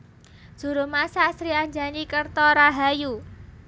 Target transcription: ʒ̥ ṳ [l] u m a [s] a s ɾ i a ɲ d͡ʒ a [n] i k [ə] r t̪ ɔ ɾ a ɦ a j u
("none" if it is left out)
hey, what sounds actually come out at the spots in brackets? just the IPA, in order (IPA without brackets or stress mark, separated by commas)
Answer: ɾ, s, n, ə